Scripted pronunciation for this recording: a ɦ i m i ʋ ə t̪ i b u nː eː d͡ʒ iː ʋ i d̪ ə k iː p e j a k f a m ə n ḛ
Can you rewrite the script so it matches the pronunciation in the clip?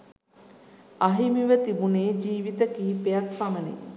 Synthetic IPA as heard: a ɦ i m i ʋ ə t̪ i b u n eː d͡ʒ iː ʋ i t̪ ə k iː p e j a k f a m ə n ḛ